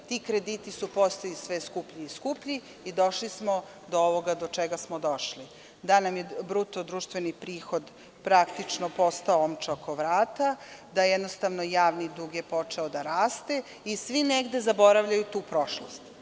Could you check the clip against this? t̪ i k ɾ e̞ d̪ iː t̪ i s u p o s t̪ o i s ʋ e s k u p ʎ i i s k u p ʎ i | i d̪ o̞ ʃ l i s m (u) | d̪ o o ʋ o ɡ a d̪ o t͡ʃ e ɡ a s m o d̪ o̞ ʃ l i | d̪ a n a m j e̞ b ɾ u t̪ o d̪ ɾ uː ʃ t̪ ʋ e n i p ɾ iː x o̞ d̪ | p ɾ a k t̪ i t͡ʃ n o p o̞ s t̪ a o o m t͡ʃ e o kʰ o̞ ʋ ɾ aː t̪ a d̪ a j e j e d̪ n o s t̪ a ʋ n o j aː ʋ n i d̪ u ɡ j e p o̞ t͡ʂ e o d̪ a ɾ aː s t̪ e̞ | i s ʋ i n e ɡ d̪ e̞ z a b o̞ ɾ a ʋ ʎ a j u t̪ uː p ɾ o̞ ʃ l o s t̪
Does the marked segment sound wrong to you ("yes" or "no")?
yes